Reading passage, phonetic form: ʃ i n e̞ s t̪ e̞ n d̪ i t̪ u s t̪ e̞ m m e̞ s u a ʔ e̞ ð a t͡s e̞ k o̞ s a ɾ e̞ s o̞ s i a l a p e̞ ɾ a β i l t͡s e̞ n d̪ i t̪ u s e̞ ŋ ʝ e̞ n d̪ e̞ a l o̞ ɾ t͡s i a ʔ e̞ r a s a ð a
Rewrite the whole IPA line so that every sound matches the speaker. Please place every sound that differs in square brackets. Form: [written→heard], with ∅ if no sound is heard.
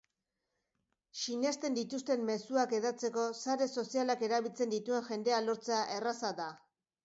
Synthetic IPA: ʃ i n e̞ s t̪ e̞ n d̪ i t̪ u s t̪ e̞ m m e̞ s u a [ʔ→k] e̞ ð a t͡s e̞ k o̞ s a ɾ e̞ s o̞ s i a l a [p→k] e̞ ɾ a β i l t͡s e̞ n d̪ i t̪ u [s→∅] e̞ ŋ ʝ e̞ n d̪ e̞ a l o̞ ɾ t͡s [i→e] a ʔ e̞ r a s a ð a